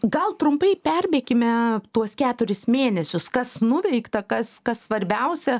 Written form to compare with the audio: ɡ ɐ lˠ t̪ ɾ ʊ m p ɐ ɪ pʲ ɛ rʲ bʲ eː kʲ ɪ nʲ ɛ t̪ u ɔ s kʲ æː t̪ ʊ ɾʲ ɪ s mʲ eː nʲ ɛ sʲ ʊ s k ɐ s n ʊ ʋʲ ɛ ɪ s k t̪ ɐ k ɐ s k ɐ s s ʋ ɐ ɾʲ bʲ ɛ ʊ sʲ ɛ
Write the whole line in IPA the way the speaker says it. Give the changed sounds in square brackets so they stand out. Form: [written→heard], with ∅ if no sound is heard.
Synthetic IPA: ɡ ɐ lˠ t̪ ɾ ʊ m p ɐ ɪ pʲ ɛ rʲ bʲ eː kʲ ɪ [nʲ→mʲ] ɛ t̪ u ɔ s kʲ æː t̪ ʊ ɾʲ ɪ s mʲ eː nʲ ɛ sʲ ʊ s k ɐ s n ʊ ʋʲ ɛ ɪ [s→∅] k t̪ ɐ k ɐ s k ɐ s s ʋ ɐ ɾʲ bʲ ɛ ʊ sʲ ɛ